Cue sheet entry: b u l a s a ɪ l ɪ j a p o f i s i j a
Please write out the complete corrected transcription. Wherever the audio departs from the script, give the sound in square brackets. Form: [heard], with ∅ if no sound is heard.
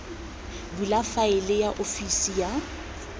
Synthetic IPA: b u l a [f] a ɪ l ɪ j a [ʔ] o f i s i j a